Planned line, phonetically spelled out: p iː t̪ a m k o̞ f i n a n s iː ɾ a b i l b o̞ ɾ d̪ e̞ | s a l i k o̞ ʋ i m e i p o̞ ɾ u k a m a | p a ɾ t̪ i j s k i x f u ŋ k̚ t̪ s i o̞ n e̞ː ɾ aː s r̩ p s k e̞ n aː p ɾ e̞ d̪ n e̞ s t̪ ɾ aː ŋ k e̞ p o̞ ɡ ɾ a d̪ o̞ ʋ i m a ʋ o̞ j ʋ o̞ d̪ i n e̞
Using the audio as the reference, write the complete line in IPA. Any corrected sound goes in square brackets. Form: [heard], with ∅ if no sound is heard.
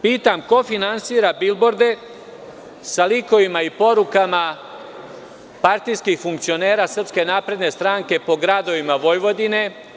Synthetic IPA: p iː t̪ a m k o̞ f i n a n s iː ɾ a b i l b o̞ ɾ d̪ e̞ | s a l i k o̞ ʋ i m [a] i p o̞ ɾ u k a m a | p a ɾ t̪ i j s k i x f u ŋ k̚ t̪ s i o̞ n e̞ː ɾ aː s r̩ p s k e̞ n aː p ɾ e̞ d̪ n e̞ s t̪ ɾ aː ŋ k e̞ p o̞ ɡ ɾ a d̪ o̞ ʋ i m a ʋ o̞ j ʋ o̞ d̪ i n e̞